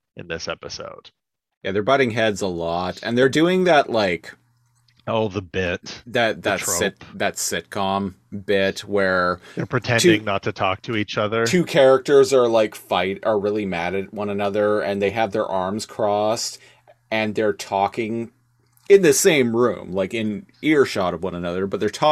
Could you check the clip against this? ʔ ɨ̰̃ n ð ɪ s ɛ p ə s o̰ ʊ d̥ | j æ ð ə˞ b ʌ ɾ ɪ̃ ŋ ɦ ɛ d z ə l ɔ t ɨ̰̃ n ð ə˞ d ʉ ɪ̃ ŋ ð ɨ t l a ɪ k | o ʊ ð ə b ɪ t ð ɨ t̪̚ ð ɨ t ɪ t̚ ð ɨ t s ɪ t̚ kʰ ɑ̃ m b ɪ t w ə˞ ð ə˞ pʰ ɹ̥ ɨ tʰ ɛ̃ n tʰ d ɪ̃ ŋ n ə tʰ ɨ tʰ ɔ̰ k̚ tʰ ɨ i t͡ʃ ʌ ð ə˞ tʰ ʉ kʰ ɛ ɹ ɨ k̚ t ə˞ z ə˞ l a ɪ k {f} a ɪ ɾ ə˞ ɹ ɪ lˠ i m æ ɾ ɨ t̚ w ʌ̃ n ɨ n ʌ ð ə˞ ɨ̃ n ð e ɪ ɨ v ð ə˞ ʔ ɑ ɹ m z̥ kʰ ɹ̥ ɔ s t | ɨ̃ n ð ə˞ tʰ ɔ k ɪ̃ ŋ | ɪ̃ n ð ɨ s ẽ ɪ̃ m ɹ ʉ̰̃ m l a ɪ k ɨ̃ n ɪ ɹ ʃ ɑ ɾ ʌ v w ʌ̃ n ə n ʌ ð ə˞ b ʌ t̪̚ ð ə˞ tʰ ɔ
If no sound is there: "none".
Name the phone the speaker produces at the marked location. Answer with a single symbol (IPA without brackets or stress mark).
f